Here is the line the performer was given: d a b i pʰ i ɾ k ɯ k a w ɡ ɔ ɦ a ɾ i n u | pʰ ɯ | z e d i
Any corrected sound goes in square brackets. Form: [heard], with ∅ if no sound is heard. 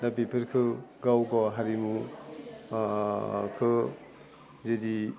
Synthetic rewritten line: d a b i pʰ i ɾ [kʰ] ɯ [ɡ] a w ɡ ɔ ɦ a ɾ i [m] u | [kʰ] ɯ | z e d i